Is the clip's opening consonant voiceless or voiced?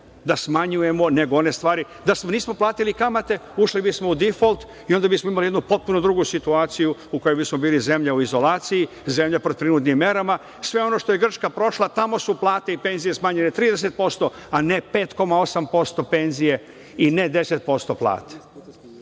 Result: voiced